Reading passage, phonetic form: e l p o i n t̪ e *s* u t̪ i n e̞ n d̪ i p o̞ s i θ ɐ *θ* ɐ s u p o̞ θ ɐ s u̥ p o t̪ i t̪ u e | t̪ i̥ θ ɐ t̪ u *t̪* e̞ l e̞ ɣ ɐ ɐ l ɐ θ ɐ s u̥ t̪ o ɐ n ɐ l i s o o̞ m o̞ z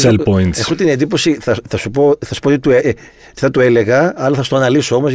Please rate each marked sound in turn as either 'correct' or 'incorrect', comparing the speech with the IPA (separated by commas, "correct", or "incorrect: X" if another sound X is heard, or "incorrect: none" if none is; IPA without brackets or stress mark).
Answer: incorrect: x, correct, incorrect: none